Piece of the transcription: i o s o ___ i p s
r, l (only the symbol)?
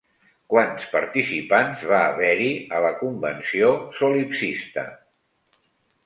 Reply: l